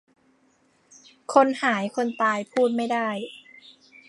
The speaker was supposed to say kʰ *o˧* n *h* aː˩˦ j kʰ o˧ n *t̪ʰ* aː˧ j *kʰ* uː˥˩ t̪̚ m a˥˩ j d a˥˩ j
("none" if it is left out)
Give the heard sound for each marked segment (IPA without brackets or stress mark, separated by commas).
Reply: o˧, h, t̪, pʰ